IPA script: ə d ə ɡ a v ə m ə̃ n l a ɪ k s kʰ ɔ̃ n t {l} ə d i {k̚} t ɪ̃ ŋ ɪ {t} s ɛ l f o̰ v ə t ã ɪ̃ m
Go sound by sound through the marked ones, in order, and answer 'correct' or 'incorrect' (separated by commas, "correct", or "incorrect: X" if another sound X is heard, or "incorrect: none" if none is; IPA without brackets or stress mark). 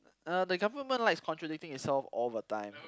incorrect: ɹ, correct, correct